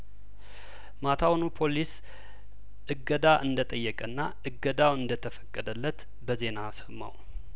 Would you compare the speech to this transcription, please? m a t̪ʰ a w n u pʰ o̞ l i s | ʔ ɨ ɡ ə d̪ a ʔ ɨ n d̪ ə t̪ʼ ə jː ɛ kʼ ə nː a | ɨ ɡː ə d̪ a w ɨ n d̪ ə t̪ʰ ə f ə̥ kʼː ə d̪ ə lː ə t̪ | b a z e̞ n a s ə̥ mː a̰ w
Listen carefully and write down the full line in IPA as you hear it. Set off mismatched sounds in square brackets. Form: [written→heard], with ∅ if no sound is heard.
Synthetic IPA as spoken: m a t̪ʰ a w n u pʰ o̞ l i s | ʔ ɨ ɡ ə d̪ a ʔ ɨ n d̪ ə t̪ʼ ə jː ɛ kʼ ə nː a | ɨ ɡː ə d̪ a w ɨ n d̪ ə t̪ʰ ə f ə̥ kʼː ə d̪ ə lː ə t̪ | b [a→ə] z e̞ n a s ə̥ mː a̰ w